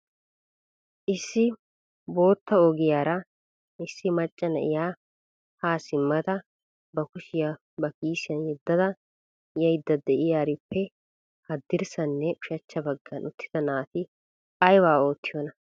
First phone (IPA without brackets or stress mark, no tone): ʔ